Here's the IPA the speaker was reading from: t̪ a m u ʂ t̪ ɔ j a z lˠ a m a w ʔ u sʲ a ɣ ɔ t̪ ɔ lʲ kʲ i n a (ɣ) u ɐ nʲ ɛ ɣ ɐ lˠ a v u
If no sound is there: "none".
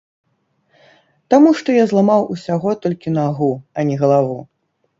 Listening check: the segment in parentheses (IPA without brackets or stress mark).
ɣ